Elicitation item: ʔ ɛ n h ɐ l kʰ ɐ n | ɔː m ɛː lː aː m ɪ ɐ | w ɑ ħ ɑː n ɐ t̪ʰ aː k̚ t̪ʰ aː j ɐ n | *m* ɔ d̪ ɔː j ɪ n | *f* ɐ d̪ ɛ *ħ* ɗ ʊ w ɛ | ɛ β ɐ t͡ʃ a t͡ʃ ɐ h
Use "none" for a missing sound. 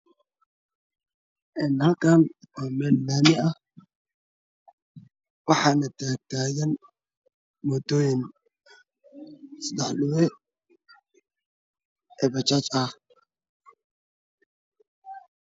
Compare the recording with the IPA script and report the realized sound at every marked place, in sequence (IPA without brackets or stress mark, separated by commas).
m, s, ħ